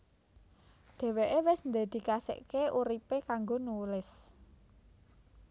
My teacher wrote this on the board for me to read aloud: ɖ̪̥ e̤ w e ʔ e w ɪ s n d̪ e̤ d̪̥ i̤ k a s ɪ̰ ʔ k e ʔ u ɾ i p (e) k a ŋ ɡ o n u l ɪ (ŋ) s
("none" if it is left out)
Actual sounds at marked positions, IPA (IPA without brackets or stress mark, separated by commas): e, none